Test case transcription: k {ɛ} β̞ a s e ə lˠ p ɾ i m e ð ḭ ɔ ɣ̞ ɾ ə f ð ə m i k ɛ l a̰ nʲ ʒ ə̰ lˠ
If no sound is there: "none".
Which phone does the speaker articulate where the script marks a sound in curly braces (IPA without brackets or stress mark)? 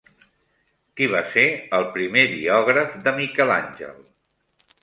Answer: i